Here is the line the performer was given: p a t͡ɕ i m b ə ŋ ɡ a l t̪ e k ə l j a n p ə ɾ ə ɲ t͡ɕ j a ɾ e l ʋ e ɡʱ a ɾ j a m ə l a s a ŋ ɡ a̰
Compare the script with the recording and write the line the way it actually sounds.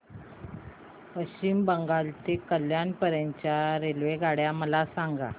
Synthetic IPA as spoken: p ə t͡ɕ i m b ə ŋ ɡ a l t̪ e k ə l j a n p ə ɾ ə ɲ t͡ɕ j a ɾ e l ʋ e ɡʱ a ɽ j a m ə l a s a ŋ ɡ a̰